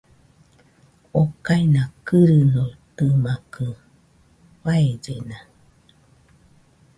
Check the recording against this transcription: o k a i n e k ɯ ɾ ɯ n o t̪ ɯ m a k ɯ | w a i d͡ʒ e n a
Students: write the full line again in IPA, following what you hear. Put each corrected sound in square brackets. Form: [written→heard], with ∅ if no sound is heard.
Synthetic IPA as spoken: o k a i n [e→a] k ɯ ɾ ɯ n o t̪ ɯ m a k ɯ | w a [i→e] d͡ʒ e n a